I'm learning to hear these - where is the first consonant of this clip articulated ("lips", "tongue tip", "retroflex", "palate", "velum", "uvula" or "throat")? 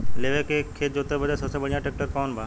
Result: tongue tip